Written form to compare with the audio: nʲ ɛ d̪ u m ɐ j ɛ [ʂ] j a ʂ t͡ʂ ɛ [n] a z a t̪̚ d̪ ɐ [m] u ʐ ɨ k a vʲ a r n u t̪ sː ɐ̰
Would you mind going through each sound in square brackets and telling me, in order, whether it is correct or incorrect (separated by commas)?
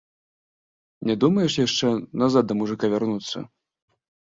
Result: correct, correct, correct